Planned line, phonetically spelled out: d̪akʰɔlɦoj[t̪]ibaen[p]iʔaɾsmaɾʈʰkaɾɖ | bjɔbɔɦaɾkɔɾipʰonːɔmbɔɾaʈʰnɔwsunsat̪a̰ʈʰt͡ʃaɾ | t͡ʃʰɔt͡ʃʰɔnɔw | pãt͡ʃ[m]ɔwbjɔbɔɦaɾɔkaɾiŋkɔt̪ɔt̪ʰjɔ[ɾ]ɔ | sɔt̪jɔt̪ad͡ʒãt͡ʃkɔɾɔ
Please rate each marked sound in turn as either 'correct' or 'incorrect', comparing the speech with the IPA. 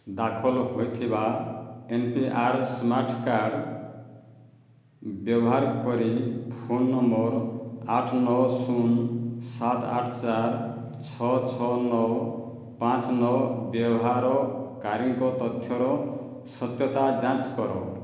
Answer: incorrect, correct, incorrect, correct

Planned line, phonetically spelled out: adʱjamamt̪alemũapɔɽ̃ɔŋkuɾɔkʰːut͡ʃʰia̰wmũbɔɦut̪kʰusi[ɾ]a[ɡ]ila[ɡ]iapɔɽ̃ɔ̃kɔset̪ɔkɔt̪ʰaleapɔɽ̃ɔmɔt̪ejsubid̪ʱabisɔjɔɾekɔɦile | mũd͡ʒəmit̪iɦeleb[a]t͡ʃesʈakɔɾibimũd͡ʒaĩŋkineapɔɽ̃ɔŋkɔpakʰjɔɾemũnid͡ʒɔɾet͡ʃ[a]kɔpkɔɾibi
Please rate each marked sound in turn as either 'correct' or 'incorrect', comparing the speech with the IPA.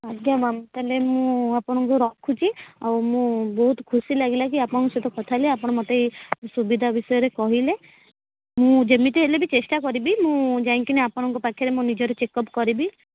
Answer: incorrect, correct, incorrect, incorrect, incorrect

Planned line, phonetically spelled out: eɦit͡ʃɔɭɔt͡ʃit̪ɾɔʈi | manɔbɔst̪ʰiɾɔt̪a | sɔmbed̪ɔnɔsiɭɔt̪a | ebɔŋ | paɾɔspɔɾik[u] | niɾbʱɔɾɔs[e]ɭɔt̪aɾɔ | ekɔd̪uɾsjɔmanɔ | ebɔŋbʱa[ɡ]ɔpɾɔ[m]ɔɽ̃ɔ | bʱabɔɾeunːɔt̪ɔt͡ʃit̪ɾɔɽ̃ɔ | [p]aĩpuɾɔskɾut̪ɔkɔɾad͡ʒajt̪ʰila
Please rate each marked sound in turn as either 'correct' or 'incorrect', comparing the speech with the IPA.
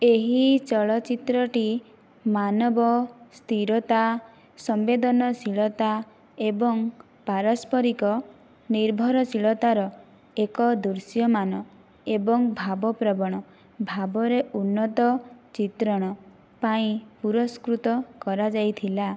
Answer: incorrect, incorrect, incorrect, incorrect, correct

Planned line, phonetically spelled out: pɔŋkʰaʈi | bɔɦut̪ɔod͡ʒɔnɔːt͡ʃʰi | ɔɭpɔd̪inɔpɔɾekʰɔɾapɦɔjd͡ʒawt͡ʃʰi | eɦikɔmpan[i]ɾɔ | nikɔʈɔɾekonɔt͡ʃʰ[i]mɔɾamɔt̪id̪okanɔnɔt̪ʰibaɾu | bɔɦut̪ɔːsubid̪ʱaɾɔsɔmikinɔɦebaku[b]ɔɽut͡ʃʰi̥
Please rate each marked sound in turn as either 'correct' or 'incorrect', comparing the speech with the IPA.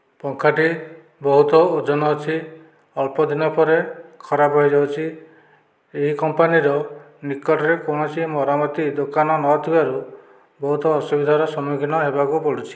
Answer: correct, correct, incorrect

